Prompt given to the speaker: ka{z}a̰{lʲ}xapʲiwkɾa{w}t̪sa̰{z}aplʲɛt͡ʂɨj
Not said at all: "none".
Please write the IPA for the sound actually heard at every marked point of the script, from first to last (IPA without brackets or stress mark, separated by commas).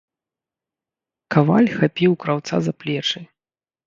v, lʲ, w, z